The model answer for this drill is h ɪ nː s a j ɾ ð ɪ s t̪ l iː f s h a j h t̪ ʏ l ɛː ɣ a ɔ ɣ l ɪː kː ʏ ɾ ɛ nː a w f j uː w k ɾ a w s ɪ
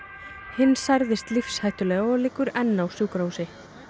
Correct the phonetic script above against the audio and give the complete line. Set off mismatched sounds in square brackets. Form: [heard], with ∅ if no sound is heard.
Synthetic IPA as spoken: h ɪ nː s a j ɾ ð ɪ s t̪ l [i] f s h a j h t̪ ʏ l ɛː ɣ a ɔ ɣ l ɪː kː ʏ ɾ ɛ nː a w [s] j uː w k ɾ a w s ɪ